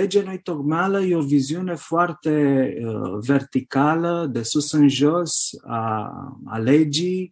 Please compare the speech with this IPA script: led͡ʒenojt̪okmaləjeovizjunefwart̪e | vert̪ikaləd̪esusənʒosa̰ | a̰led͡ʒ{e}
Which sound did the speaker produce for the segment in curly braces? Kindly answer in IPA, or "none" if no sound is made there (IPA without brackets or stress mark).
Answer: i